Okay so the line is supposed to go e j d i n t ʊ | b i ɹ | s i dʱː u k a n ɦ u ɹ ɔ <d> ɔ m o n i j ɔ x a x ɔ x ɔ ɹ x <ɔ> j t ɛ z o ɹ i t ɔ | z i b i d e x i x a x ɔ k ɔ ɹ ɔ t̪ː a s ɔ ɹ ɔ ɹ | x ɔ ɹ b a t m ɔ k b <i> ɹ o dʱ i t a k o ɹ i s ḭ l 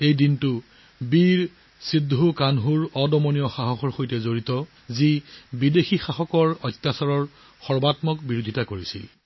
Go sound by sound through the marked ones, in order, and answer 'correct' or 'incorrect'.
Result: correct, incorrect: o, correct

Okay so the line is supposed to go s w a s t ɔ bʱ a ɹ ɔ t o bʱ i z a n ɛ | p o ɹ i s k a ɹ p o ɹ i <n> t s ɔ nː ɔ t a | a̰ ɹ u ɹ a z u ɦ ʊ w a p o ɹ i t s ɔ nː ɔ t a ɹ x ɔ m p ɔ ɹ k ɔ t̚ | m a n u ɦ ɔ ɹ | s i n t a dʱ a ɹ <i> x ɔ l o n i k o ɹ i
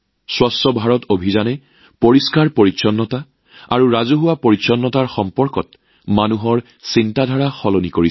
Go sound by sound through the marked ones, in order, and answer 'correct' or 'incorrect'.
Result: incorrect: none, incorrect: a

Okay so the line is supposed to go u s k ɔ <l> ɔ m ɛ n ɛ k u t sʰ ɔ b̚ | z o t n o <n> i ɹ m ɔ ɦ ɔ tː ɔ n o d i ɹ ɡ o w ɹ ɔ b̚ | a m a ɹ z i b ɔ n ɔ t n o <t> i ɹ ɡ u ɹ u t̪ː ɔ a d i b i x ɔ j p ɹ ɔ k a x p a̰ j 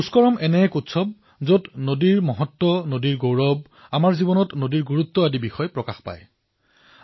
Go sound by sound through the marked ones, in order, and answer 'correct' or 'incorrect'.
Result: incorrect: ɹ, incorrect: d, incorrect: d

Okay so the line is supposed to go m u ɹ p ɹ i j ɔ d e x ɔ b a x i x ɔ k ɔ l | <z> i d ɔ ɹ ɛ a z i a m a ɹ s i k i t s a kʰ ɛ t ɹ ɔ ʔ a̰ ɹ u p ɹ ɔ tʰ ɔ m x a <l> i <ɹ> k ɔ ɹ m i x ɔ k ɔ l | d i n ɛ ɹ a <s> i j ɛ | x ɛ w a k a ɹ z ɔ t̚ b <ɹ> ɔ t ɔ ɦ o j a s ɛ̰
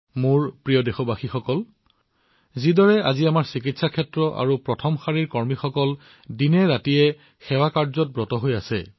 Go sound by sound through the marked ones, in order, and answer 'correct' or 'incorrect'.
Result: correct, incorrect: ɹ, correct, incorrect: t, correct

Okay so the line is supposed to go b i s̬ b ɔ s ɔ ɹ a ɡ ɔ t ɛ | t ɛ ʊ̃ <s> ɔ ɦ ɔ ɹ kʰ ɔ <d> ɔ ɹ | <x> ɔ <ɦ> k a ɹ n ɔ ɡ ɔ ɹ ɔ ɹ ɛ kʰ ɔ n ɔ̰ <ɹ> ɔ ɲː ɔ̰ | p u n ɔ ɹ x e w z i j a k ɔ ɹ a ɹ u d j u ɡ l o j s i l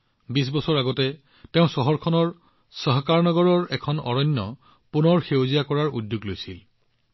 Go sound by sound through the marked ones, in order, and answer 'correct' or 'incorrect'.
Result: correct, incorrect: n, incorrect: s, correct, correct

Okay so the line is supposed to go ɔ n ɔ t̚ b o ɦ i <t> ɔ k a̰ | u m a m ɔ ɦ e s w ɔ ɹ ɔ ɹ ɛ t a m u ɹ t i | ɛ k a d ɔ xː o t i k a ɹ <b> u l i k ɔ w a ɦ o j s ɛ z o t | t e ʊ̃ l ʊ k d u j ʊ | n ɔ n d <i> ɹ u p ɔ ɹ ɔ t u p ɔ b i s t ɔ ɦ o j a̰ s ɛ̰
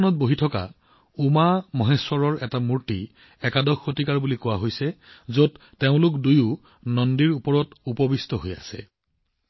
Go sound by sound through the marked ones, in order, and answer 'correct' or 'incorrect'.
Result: incorrect: tʰ, correct, correct

